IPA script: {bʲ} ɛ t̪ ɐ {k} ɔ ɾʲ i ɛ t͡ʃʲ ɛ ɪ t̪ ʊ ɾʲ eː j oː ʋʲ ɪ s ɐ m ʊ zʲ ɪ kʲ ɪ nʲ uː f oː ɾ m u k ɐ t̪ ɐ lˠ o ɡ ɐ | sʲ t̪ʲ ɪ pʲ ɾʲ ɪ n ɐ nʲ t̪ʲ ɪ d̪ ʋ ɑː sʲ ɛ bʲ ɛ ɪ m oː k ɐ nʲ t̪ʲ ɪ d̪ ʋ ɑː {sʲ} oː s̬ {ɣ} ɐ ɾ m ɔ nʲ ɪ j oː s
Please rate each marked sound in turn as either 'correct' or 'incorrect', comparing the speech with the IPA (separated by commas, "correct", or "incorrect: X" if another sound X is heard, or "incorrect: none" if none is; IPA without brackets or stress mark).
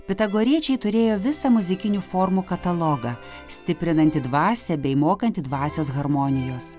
incorrect: pʲ, incorrect: ɡ, correct, correct